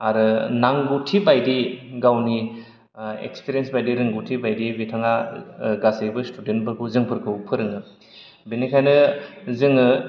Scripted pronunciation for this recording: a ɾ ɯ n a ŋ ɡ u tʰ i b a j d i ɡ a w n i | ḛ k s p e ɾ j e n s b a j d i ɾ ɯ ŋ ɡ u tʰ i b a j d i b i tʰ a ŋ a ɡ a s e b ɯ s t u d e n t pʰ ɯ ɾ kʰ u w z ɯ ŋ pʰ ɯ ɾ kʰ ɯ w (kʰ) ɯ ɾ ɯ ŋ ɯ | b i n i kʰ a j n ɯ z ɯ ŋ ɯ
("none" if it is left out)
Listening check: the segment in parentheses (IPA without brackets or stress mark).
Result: pʰ